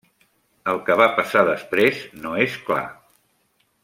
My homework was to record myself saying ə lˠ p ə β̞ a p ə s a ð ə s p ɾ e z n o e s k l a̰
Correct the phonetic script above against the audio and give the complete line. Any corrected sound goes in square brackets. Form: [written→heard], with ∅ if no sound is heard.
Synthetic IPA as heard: ə lˠ [p→k] ə β̞ a p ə s a ð ə s p ɾ e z n o e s k l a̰